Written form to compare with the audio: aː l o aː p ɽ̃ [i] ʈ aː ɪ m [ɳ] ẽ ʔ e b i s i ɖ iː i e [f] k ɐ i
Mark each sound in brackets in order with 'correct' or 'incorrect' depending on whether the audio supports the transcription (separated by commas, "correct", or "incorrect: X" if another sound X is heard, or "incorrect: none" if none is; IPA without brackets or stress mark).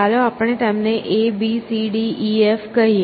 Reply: incorrect: e, incorrect: n, correct